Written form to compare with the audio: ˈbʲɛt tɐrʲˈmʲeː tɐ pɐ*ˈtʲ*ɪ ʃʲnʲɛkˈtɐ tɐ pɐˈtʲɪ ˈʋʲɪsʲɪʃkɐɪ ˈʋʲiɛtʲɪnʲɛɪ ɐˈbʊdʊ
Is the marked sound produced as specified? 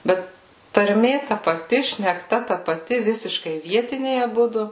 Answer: yes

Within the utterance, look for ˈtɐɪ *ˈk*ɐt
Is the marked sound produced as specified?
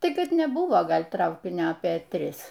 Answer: yes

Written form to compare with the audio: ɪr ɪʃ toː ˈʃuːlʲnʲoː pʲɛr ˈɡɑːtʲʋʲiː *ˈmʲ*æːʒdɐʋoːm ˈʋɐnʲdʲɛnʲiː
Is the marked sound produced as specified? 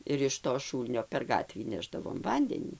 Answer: no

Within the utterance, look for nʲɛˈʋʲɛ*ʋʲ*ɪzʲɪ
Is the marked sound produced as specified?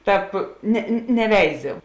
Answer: no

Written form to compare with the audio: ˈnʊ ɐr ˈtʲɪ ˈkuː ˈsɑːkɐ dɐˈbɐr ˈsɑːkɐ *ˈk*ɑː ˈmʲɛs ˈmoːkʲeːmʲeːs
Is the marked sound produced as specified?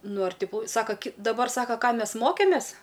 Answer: yes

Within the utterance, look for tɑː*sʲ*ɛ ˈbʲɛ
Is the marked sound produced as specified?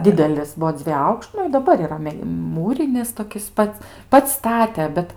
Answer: no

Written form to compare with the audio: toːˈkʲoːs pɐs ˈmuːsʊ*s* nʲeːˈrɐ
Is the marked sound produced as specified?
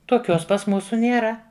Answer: no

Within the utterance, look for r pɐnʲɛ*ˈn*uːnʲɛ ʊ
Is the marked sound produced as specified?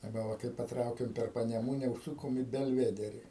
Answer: no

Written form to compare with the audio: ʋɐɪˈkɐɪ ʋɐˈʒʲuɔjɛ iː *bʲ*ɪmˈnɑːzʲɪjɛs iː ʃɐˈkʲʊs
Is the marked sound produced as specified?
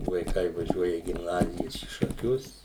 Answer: no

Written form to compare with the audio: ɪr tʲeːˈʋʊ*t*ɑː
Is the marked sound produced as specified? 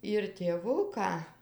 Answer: no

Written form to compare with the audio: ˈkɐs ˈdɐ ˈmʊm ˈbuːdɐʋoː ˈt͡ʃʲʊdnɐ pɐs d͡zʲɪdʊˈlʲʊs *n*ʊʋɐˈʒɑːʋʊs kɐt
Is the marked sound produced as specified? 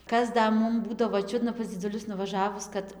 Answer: yes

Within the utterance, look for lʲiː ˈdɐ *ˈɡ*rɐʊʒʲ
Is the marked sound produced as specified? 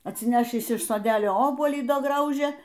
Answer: yes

